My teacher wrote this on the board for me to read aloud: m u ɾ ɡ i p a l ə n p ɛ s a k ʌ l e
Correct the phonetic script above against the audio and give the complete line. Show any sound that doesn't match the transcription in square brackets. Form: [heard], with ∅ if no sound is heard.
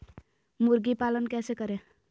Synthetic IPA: m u ɾ ɡ i p a l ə n [k] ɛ s [e] k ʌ [ɾ] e